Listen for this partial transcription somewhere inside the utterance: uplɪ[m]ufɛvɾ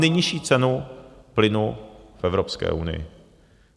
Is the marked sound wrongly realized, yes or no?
yes